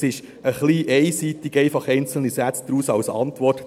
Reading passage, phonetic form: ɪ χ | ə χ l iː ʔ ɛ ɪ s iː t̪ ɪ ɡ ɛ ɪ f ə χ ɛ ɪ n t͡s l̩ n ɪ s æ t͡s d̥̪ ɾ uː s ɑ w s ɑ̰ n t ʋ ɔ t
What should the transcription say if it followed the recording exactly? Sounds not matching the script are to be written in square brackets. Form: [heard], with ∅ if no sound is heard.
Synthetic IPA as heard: ɪ [ʃ] | ə χ l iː ʔ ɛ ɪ s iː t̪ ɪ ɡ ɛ ɪ f [ɑ] χ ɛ ɪ n t͡s l̩ n [i] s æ t͡s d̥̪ ɾ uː s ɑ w s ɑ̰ n t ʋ ɔ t